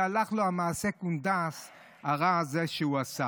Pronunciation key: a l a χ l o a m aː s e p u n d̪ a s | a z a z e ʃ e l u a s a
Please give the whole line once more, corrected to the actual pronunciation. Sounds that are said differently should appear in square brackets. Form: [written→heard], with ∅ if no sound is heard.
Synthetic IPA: a l a χ l o a m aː s e [p→k] u n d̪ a s | a [z→ʁ] a z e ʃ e [l→∅] u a s a